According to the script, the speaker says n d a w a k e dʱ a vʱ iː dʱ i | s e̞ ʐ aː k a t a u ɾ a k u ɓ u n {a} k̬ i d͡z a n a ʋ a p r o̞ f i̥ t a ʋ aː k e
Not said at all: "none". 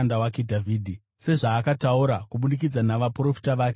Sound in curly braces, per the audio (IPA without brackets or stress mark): i